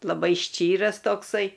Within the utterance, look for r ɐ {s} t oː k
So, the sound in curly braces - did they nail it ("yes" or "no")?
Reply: yes